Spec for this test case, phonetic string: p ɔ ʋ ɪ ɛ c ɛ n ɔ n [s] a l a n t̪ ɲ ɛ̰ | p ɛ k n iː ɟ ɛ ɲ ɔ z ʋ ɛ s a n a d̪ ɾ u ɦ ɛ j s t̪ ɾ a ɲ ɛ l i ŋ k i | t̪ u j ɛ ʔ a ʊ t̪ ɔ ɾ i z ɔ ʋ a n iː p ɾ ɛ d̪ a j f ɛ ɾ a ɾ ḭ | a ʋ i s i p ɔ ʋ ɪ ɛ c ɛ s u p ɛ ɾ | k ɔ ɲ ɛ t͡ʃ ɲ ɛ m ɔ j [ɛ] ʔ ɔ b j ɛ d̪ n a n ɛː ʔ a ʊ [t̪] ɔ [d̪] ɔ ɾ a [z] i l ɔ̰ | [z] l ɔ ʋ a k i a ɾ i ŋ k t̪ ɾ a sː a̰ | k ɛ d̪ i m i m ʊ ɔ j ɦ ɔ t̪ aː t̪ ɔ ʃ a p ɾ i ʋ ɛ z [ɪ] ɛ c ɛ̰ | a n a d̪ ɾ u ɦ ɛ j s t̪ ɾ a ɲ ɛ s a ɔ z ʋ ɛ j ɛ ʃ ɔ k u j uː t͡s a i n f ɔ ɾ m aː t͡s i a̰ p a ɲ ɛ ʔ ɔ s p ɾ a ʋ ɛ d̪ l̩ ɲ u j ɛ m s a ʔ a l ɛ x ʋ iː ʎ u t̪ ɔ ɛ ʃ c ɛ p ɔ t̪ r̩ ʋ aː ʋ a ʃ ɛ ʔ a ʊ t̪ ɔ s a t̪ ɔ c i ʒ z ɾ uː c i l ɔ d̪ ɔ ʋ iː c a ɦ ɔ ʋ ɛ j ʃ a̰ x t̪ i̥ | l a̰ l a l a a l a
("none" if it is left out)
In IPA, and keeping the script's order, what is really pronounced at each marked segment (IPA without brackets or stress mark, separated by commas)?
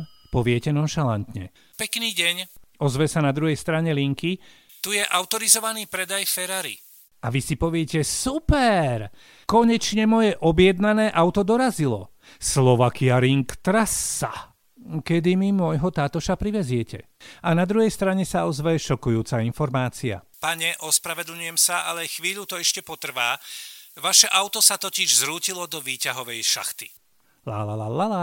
ʃ, ɛ, t̪, d̪, z, s, ɪ